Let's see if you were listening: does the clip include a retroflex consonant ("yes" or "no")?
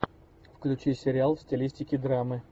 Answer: no